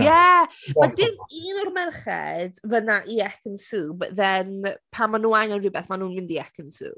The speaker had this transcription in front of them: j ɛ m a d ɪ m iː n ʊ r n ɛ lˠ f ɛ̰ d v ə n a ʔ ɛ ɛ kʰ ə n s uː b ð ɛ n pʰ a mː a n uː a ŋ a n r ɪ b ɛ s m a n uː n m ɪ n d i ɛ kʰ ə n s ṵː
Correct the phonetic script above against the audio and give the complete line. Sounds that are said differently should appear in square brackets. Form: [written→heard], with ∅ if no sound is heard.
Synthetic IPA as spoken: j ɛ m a d ɪ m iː n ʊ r [n→m] ɛ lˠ [f→χ] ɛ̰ d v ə n a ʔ [ɛ→i] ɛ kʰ ə n s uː b ð ɛ n pʰ a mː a n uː a ŋ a n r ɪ b ɛ [s→θ] m a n uː n m ɪ n d i ɛ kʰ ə n s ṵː